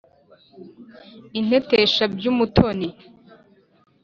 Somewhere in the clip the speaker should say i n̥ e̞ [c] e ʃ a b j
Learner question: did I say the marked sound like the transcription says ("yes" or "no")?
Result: no